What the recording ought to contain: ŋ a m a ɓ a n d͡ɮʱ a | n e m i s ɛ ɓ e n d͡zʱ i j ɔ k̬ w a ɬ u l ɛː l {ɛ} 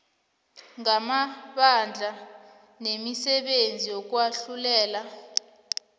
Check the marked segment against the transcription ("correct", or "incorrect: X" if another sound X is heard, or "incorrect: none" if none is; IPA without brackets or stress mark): incorrect: a